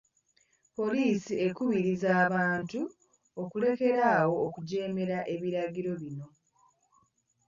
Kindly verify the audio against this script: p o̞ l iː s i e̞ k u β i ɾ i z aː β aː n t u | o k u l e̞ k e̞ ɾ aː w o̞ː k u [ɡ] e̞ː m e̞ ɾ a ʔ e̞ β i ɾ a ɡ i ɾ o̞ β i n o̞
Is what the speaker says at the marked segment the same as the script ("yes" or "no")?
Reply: no